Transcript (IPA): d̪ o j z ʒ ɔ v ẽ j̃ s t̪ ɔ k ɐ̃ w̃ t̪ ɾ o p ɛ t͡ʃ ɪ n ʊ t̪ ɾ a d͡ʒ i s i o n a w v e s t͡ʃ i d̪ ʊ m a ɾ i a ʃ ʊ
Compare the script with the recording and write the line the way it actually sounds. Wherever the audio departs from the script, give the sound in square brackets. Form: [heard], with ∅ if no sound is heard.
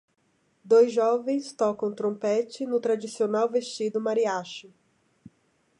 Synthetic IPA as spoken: d̪ o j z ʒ ɔ v ẽ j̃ s t̪ ɔ k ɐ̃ w̃ t̪ ɾ [õ] p ɛ t͡ʃ ɪ n ʊ t̪ ɾ a d͡ʒ i s i o n a w v e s t͡ʃ i d̪ ʊ m a ɾ i a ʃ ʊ